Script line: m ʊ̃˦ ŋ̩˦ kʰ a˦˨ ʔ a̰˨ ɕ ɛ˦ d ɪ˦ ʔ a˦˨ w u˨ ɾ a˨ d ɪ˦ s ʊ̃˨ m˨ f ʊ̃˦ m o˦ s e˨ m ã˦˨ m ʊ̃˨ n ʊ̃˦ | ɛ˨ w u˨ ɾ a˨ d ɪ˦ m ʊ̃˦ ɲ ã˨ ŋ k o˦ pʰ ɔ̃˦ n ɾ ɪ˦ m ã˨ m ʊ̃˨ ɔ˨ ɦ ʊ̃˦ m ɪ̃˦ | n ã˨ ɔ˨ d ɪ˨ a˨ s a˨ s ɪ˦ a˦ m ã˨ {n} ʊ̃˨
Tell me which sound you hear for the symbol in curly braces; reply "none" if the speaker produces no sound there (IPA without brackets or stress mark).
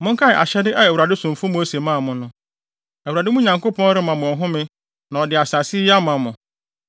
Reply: m